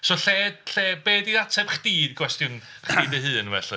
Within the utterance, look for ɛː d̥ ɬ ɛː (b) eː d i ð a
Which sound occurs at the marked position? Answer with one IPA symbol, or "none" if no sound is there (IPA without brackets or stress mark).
b